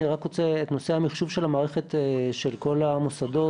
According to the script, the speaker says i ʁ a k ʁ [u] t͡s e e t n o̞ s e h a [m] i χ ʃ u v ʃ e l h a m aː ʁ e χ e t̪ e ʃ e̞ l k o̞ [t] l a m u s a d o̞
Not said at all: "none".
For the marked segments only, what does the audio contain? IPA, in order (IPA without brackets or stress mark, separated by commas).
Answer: o, m, none